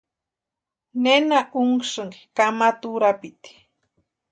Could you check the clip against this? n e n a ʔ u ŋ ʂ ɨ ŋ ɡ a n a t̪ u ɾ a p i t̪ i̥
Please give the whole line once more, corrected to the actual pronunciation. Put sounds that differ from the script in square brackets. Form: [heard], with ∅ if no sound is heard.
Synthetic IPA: n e n a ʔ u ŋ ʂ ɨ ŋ [k] a [m] a t̪ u ɾ a p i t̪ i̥